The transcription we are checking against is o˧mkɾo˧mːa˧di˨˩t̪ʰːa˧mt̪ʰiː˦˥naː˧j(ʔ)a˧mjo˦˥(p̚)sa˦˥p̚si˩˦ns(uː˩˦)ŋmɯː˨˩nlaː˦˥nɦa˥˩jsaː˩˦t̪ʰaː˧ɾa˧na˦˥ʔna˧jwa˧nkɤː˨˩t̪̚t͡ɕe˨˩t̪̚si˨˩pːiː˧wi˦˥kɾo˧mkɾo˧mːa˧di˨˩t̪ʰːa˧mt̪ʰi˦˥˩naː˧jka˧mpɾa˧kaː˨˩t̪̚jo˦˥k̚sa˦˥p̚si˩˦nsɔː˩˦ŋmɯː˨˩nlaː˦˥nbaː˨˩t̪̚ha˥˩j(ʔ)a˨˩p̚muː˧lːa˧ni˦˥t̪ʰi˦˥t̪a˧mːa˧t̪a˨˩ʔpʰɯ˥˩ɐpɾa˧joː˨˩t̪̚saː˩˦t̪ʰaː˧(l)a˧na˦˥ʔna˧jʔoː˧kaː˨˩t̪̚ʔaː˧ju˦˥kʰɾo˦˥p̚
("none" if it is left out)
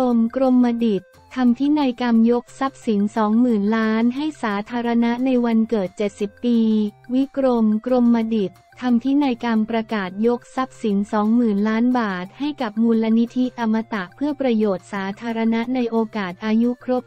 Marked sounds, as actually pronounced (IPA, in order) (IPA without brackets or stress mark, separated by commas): k, k̚, ɔː˩˦, k, ɾ